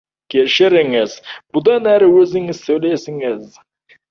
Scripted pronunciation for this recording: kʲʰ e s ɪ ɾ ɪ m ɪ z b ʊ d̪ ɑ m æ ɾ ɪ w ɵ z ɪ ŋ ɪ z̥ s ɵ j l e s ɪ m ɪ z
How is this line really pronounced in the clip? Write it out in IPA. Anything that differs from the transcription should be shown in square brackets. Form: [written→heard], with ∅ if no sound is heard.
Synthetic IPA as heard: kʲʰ e [s→ʃ] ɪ ɾ ɪ [m→ŋ] ɪ z b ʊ d̪ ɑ [m→n] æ ɾ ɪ w ɵ z ɪ ŋ ɪ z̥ s ɵ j l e s ɪ [m→ŋ] ɪ z